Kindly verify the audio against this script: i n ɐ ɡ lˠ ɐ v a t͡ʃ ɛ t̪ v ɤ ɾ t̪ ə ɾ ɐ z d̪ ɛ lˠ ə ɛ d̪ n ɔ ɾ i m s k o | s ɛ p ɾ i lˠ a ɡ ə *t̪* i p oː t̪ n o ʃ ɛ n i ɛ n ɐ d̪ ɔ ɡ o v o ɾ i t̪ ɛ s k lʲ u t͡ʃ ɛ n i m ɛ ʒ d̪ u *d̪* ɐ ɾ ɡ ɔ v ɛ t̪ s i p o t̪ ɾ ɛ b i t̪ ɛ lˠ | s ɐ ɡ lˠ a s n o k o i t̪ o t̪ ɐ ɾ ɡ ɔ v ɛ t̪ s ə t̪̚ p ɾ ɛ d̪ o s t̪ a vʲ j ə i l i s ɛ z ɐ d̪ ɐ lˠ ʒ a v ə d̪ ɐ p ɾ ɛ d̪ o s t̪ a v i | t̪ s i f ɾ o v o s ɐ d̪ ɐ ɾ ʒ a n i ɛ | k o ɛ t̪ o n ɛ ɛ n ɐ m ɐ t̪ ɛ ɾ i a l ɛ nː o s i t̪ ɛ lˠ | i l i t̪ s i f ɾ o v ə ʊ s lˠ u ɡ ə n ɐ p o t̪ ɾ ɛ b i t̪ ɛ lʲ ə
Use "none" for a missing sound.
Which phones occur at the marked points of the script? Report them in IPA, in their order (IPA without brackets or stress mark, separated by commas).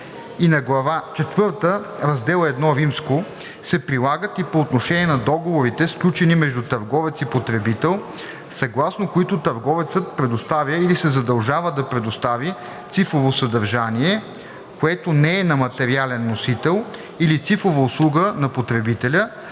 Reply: t̪, t̪